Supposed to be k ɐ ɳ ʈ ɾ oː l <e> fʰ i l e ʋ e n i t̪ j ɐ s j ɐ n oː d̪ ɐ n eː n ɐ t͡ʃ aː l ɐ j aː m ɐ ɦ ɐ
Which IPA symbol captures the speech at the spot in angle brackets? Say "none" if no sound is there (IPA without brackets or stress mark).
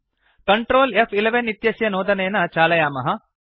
e